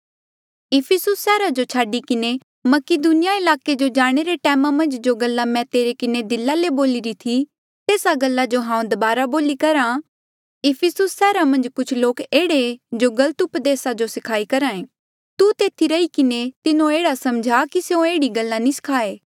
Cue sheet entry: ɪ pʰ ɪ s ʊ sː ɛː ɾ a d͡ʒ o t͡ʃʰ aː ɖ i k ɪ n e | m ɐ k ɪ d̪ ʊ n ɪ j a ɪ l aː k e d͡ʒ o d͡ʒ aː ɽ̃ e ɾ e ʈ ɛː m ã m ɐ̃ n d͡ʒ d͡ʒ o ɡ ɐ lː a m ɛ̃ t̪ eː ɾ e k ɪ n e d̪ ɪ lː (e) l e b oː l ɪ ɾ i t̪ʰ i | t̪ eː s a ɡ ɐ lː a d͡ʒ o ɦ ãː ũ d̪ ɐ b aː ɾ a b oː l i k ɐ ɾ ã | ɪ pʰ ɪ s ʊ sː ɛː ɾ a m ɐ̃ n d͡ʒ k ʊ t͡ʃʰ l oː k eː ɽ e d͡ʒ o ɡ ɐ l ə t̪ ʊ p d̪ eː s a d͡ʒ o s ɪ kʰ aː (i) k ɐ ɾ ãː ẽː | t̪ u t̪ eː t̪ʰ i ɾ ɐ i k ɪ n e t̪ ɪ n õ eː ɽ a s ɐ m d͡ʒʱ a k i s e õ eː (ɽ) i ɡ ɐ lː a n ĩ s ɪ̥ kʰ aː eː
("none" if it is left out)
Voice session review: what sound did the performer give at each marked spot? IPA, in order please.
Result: a, i, ɽ

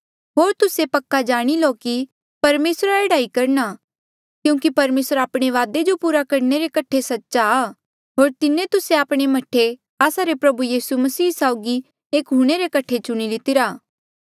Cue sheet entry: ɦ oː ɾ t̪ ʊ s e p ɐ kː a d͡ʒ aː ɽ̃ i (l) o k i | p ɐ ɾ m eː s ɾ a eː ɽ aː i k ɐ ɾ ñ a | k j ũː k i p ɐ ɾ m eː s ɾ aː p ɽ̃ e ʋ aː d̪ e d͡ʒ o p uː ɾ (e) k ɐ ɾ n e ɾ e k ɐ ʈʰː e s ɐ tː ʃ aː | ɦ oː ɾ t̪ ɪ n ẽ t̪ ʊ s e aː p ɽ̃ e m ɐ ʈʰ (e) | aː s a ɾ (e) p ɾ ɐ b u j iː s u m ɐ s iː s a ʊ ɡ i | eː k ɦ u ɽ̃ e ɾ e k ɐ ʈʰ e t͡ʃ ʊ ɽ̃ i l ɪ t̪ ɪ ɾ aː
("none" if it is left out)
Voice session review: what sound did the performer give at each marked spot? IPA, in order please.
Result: l, a, e, e

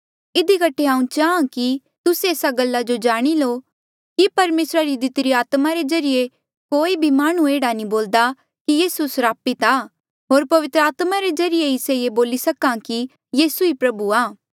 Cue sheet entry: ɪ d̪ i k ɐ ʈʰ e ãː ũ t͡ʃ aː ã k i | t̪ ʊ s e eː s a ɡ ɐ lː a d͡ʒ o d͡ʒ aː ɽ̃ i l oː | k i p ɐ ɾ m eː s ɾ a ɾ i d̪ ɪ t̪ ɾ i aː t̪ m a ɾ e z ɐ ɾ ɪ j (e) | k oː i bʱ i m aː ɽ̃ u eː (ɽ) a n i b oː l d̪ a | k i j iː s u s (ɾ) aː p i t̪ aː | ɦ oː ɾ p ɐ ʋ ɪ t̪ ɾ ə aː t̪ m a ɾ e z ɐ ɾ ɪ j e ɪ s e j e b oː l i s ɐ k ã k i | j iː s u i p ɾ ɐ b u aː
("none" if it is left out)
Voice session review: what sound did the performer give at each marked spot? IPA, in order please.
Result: e, ɽ, ɾ

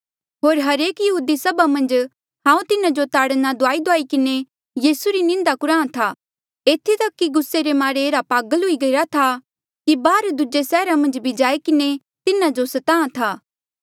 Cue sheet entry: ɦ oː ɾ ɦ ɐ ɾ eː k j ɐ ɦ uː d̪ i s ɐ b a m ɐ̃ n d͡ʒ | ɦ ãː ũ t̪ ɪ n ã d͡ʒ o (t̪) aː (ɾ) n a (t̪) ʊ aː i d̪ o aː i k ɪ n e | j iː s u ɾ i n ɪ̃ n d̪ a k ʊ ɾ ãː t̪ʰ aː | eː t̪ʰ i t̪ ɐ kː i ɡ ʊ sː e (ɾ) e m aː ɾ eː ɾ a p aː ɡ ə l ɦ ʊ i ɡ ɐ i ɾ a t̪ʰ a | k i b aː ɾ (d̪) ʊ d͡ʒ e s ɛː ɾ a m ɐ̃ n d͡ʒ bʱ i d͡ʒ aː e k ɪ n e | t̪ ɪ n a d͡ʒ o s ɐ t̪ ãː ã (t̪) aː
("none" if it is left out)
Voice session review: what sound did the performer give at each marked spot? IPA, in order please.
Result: t̪, ɽ, d̪, ɾ, d̪, t̪ʰ

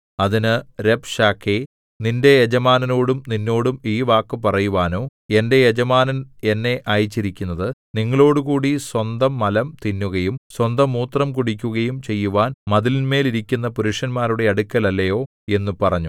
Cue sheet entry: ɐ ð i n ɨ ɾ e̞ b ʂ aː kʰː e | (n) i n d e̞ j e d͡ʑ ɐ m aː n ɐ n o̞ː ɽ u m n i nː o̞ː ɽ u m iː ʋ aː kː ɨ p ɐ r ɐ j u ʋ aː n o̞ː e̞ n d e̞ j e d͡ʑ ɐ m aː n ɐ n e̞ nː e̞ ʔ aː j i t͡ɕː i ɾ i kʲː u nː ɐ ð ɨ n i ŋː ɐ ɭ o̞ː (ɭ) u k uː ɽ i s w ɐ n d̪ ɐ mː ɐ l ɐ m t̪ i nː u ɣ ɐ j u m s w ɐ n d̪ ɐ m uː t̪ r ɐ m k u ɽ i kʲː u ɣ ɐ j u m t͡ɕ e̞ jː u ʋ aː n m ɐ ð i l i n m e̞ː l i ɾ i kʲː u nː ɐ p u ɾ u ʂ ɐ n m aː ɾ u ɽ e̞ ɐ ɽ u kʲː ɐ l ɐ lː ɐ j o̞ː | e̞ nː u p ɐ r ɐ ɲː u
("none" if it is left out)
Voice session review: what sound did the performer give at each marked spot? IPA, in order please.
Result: n, ɽ

